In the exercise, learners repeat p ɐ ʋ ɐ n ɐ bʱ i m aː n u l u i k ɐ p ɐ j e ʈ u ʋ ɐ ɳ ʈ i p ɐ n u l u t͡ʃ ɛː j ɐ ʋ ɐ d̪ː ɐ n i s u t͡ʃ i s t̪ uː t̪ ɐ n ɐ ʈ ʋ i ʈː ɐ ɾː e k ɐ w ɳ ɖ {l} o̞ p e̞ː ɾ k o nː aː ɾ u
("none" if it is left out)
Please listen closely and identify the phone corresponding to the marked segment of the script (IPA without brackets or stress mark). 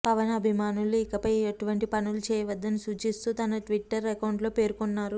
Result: l